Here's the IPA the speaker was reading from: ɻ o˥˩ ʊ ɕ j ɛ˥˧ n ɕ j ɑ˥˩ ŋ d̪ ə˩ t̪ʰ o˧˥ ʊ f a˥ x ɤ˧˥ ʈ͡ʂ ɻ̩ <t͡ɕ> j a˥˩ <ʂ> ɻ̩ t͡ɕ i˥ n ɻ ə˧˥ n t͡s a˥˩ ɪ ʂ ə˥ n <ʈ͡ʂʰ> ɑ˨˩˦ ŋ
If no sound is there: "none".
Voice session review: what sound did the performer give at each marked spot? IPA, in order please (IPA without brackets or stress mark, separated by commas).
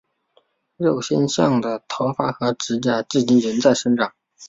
t͡ɕ, ʈ͡ʂ, ʈ͡ʂ